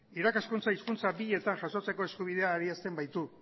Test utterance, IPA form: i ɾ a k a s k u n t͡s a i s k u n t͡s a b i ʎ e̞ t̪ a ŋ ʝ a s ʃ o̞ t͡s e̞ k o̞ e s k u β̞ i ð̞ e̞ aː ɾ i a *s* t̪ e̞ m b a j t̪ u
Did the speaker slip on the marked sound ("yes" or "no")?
no